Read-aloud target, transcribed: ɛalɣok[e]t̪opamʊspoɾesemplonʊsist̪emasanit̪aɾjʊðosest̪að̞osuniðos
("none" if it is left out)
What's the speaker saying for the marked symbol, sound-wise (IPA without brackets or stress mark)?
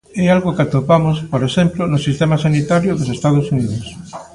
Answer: a